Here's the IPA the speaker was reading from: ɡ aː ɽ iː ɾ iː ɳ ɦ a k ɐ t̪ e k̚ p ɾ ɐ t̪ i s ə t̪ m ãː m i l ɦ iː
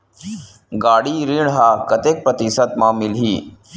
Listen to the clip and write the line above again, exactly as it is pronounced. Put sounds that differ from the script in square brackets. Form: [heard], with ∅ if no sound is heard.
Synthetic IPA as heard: ɡ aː ɽ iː ɾ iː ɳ ɦ a k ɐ t̪ e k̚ p ɾ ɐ t̪ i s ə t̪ m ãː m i l ɦ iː